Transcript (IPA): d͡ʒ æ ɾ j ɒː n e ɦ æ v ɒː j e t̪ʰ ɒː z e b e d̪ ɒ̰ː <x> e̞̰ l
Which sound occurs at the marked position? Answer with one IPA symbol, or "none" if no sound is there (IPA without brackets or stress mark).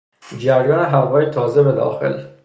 x